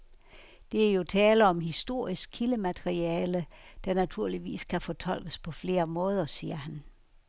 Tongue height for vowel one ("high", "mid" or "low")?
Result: mid